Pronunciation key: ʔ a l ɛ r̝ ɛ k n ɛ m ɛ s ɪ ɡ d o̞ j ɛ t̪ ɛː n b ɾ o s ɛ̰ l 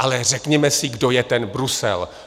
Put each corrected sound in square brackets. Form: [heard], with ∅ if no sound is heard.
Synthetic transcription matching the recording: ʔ a l ɛ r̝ ɛ k [ɲ] ɛ m ɛ s ɪ ɡ d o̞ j ɛ t̪ [ɛ] n b ɾ [u] s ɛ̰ l